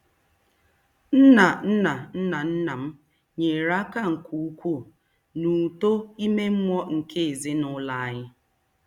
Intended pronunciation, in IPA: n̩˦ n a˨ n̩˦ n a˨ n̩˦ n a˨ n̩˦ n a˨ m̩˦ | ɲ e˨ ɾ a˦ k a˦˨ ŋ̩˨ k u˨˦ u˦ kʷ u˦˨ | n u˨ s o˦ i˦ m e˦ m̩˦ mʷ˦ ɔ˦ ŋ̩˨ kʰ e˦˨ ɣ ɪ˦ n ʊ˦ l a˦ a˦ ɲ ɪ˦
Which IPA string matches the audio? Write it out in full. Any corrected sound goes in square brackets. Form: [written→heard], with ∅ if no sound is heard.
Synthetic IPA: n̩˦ n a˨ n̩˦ n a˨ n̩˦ n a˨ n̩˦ n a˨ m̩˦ | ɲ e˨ ɾ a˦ k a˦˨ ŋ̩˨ k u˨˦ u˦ kʷ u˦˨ | n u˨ [s→t] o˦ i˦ m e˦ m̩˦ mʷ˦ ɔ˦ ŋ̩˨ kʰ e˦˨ [ɣ→z] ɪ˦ n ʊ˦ l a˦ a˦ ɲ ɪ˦